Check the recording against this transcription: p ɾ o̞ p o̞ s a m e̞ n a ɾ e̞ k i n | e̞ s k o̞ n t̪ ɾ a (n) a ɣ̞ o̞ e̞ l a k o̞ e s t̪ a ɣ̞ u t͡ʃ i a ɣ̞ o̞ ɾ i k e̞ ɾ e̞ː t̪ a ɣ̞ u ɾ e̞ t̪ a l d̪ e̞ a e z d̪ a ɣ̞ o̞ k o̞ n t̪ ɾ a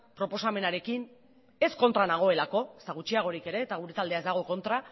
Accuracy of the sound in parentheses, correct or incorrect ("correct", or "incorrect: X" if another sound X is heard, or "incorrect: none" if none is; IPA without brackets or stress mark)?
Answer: correct